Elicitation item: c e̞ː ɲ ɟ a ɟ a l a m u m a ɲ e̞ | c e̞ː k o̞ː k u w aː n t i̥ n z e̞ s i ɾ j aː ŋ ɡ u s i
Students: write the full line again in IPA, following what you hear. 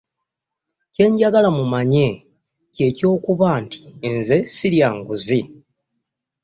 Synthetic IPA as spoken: c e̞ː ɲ ɟ a ɡ a l a m u m a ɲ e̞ | c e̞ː c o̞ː k u β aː n t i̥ n z e̞ s i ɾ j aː ŋ ɡ u z i